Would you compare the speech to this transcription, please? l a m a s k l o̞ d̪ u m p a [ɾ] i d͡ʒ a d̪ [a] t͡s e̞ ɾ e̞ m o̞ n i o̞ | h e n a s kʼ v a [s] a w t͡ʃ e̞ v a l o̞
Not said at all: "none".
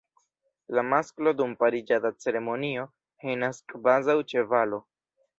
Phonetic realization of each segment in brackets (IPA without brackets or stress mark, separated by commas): ɾ, a, z